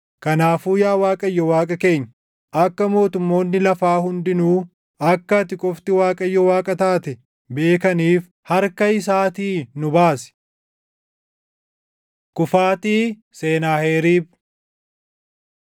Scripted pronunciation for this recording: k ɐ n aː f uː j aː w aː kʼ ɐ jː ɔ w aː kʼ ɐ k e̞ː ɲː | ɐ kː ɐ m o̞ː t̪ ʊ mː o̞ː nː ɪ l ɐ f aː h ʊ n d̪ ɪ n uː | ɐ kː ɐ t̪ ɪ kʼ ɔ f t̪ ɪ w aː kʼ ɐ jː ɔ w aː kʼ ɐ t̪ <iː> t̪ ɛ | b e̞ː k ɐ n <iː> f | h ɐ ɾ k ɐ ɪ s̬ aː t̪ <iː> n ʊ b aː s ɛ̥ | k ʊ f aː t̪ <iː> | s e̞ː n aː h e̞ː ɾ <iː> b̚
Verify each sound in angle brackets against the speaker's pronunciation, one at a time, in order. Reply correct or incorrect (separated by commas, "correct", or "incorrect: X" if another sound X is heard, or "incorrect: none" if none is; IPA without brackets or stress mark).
incorrect: aː, correct, correct, correct, correct